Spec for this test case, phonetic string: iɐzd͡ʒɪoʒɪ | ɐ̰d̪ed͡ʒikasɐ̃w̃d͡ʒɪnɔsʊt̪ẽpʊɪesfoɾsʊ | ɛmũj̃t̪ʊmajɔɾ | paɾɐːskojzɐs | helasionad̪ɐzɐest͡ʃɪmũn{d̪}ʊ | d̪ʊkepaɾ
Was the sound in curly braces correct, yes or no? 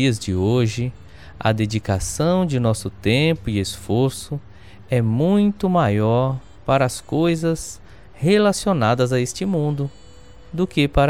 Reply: yes